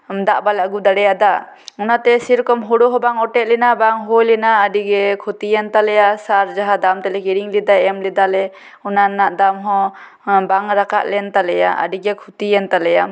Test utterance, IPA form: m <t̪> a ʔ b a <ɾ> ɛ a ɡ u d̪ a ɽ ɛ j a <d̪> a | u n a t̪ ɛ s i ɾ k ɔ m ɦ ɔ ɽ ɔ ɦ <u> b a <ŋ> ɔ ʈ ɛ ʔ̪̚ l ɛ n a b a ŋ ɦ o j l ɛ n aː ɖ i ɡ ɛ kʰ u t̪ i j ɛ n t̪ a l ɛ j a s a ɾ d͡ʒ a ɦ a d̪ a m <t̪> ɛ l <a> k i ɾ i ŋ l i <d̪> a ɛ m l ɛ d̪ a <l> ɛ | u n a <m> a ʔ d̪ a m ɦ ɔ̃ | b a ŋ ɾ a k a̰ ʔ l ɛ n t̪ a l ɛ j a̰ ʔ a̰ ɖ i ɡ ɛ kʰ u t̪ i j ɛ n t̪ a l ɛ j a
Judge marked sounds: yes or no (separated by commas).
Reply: no, no, yes, no, yes, yes, no, yes, yes, no